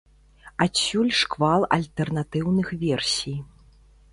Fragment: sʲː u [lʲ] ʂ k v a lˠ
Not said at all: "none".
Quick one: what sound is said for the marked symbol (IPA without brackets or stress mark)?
lʲ